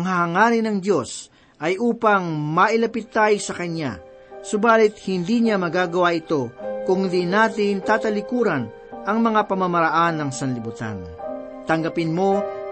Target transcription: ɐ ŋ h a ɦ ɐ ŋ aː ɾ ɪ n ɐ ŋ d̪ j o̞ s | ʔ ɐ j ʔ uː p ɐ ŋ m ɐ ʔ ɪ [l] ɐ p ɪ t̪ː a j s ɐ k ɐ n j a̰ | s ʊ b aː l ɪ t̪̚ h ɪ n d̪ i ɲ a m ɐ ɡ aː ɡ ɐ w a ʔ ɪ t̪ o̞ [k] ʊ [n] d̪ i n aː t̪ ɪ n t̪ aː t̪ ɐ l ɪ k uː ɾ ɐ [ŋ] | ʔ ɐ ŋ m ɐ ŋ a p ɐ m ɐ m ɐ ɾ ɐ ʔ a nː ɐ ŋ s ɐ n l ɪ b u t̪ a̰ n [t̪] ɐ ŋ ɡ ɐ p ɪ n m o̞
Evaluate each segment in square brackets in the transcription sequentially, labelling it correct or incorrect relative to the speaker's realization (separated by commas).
correct, correct, incorrect, incorrect, correct